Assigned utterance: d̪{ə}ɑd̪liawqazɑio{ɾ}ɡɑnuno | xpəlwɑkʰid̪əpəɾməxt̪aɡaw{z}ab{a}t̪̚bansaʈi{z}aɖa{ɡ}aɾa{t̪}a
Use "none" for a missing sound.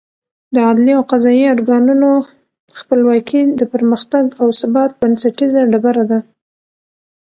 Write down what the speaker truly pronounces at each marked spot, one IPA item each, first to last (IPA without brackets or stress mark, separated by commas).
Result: ə, ɾ, s, ɑ, z, b, d̪